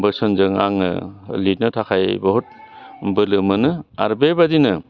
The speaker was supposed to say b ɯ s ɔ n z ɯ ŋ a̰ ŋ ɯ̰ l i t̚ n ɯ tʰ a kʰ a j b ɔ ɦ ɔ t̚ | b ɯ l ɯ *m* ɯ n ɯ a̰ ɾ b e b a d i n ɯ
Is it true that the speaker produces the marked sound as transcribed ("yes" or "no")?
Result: yes